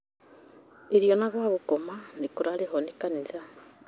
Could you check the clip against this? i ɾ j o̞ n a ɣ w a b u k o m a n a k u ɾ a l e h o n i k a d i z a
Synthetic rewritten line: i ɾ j o̞ n a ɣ w a β u k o m a n i k u ɾ a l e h o n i k a n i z a